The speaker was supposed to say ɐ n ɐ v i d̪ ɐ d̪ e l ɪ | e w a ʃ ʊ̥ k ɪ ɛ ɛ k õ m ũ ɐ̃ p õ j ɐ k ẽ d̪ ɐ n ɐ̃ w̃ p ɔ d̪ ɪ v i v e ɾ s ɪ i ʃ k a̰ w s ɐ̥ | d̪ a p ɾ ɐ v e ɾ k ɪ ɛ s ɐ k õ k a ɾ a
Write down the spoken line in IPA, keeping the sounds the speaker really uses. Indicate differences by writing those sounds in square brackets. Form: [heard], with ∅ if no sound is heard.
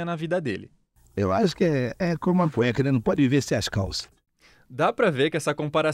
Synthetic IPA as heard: ɐ n ɐ v i d̪ ɐ d̪ e l ɪ | e w a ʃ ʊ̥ k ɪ ɛ ɛ k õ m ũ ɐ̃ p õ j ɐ k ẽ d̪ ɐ n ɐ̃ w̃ p ɔ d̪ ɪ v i v e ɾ s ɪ [a] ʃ k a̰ w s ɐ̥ | d̪ a p ɾ ɐ v e ɾ k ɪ ɛ s ɐ k õ [p] a ɾ a